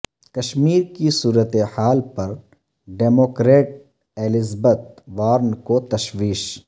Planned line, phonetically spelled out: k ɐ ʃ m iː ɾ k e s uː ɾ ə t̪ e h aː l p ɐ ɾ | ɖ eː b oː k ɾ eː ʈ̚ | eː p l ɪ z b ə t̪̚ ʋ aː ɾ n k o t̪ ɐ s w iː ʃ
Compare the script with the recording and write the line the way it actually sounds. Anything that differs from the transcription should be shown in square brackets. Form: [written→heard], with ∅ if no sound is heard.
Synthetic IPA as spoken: k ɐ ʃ m iː ɾ k [e→i] s uː ɾ ə t̪ e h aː l p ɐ ɾ | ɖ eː [b→m] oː k ɾ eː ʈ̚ | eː [p→∅] l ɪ z b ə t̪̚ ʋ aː ɾ n k o t̪ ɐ [s→ʃ] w iː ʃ

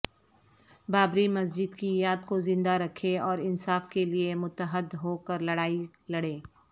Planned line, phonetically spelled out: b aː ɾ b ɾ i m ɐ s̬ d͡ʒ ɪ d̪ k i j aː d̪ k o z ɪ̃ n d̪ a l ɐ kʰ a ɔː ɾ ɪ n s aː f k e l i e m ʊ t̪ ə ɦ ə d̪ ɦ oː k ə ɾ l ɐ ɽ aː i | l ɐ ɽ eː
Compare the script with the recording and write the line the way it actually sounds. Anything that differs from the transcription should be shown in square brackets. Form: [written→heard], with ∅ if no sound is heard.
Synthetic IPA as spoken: b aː [ɾ→∅] b ɾ i m ɐ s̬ d͡ʒ ɪ d̪ k i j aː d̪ k o z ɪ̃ n d̪ a [l→ɾ] ɐ kʰ [a→e] ɔː ɾ ɪ n s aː f k e l i e m ʊ t̪ ə ɦ ə d̪ ɦ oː k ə ɾ l ɐ ɽ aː i | l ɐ ɽ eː

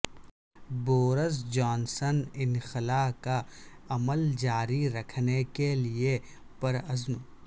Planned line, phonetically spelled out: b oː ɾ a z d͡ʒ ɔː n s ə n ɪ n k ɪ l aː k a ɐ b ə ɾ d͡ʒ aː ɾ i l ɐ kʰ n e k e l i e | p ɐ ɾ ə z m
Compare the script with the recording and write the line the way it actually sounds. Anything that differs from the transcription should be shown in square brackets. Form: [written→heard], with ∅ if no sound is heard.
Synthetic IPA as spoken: b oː ɾ [a→ə] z d͡ʒ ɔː n s ə n ɪ n [k→x] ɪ l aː k a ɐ [b→m] ə [ɾ→l] d͡ʒ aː ɾ i [l→ɾ] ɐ kʰ n e k e l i e | p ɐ ɾ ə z m

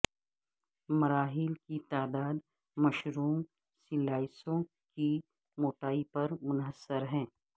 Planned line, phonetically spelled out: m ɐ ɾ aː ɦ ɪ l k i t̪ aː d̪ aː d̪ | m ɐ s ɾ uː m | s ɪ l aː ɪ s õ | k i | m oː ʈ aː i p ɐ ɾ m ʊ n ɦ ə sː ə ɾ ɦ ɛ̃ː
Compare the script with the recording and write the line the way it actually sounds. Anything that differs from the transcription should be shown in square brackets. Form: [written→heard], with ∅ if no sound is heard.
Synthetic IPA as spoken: m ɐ ɾ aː ɦ ɪ l k i t̪ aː d̪ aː d̪ | m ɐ [s→ʃ] ɾ uː m | s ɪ l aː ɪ s õ | k i | m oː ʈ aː i p ɐ ɾ m ʊ n ɦ ə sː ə ɾ ɦ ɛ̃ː

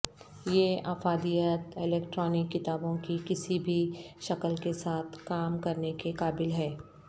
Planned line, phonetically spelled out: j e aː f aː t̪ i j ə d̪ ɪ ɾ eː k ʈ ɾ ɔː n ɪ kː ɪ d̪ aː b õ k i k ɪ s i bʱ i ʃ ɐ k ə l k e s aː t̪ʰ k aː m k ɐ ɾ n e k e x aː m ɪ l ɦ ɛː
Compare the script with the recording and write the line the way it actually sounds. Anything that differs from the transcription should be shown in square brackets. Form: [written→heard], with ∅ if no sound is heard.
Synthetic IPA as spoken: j e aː f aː [t̪→d̪] i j ə [d̪→t̪] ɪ [ɾ→l] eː k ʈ ɾ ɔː n ɪ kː ɪ [d̪→t̪] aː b õ k i k ɪ s i bʱ i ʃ ɐ k ə l k e s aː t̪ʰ k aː m k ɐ ɾ n e k e [x→k] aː [m→b] ɪ l ɦ ɛː

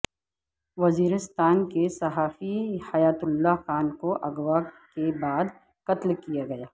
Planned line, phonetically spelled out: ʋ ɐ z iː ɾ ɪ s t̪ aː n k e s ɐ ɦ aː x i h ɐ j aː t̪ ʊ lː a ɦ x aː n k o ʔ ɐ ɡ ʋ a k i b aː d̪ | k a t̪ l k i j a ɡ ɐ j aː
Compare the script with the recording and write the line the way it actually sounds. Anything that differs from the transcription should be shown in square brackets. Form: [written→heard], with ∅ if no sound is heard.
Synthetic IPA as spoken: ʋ ɐ z iː ɾ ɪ s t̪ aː n k e s ɐ ɦ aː [x→f] i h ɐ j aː t̪ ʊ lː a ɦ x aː n k o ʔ ɐ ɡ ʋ a k [i→e] b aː d̪ | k [a→ɐ] t̪ l k i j a ɡ ɐ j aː

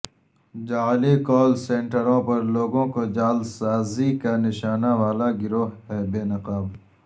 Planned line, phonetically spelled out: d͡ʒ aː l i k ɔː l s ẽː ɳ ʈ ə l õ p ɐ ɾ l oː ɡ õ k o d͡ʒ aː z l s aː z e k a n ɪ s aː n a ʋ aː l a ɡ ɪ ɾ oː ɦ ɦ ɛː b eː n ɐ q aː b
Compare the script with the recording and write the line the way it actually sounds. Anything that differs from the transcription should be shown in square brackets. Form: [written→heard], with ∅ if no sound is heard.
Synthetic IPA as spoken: d͡ʒ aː l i k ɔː l s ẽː ɳ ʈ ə [l→ɾ] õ p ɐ ɾ l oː ɡ õ k o d͡ʒ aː [z→∅] l s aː z [e→i] k a n ɪ [s→ʃ] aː n a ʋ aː l a ɡ ɪ ɾ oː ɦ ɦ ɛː b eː n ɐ q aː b

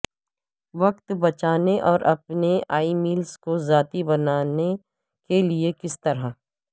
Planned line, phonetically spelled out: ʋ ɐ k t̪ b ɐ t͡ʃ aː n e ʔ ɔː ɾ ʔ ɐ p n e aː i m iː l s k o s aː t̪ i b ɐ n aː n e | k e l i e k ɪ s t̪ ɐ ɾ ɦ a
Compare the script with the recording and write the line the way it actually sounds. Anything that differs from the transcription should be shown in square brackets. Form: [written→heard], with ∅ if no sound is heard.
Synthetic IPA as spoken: ʋ ɐ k t̪ b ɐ t͡ʃ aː n e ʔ ɔː ɾ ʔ ɐ p n e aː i m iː l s k o [s→z] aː t̪ i b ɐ n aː n e | k e l i e k ɪ s t̪ ɐ ɾ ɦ a

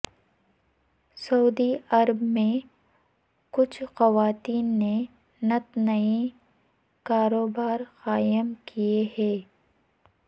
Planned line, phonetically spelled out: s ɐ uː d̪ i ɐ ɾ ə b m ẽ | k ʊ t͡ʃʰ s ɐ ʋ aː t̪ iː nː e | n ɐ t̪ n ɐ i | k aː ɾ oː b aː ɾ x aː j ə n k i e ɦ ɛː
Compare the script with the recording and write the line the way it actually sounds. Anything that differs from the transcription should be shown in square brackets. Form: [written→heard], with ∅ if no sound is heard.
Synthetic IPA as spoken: s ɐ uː d̪ i ɐ ɾ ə b m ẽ | k ʊ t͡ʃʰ [s→x] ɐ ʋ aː t̪ iː nː e | n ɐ t̪ n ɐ i | k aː ɾ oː b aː ɾ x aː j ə [n→m] k i e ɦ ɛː

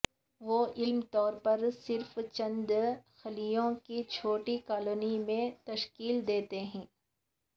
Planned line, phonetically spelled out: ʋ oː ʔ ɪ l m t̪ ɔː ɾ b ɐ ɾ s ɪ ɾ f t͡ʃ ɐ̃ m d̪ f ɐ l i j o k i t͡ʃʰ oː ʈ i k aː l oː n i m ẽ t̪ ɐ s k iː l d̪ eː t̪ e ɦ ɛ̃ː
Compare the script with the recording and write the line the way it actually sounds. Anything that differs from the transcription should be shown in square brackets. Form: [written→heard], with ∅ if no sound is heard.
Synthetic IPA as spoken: ʋ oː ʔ ɪ l m t̪ ɔː ɾ [b→p] ɐ ɾ s ɪ ɾ f t͡ʃ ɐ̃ [m→n] d̪ [f→x] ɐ l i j [o→õ] k i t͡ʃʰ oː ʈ i k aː l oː n i m ẽ t̪ ɐ [s→ʃ] k iː l d̪ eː t̪ e ɦ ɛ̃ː

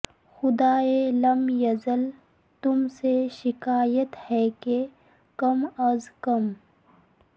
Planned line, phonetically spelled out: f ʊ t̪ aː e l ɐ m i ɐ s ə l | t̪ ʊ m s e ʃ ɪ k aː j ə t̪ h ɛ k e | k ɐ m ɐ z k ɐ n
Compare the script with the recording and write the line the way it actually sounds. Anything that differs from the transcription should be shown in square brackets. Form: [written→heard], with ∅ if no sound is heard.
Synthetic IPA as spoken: [f→x] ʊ [t̪→d̪] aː e l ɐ m [i→j] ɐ [s→z] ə l | t̪ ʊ m s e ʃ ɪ k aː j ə t̪ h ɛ k e | k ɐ m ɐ z k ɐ [n→m]

